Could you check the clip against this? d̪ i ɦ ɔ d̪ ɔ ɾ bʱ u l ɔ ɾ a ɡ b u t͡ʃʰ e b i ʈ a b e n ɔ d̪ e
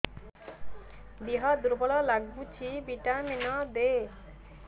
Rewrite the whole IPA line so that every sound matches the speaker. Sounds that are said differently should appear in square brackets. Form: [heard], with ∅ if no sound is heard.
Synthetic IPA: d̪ i ɦ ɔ d̪ [u] ɾ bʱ [ɔ] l ɔ [l] a ɡ b u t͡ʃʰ [i] b i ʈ a [m] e n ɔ d̪ e